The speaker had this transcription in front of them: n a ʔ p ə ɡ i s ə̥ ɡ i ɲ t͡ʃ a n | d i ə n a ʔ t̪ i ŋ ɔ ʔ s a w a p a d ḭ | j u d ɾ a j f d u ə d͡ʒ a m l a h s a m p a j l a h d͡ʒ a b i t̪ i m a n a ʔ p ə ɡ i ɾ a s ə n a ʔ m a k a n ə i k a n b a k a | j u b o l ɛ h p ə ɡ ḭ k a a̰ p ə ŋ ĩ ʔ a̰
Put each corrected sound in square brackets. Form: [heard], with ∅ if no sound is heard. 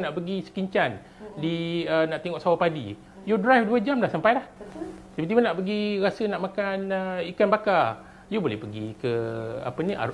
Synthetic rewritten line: n a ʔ p ə ɡ i s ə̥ [k] i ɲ t͡ʃ a n | d i ə n a ʔ t̪ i ŋ ɔ ʔ s a w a p a d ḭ | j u d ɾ a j f d u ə d͡ʒ a m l a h s a m p a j l a h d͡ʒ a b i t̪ i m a n a ʔ p ə ɡ i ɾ a s ə n a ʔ m a k a n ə i k a n b a k a | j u b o l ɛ h p ə ɡ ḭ k [ə] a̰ p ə [n] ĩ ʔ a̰